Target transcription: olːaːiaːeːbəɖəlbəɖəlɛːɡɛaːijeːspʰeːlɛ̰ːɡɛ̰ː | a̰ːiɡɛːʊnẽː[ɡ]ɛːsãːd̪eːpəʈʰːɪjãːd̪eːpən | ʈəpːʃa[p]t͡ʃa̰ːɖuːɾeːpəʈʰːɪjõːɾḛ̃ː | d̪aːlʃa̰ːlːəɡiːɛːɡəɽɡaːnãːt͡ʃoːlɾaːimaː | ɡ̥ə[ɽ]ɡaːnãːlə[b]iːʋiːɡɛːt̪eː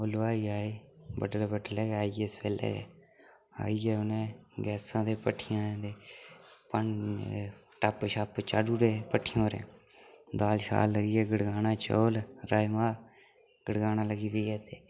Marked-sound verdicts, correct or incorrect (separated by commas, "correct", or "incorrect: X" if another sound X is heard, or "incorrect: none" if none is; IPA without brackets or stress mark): correct, correct, correct, incorrect: ɡ